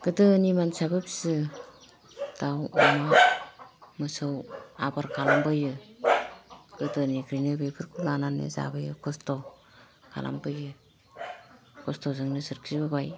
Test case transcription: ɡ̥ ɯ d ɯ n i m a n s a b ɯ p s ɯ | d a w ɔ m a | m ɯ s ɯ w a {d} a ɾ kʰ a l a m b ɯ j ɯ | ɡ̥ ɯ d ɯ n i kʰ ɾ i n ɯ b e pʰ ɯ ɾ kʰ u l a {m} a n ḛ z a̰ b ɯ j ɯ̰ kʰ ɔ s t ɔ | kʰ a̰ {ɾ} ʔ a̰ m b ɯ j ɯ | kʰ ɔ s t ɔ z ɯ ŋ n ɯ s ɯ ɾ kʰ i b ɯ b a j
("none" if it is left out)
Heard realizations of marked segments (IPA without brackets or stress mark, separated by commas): b, n, l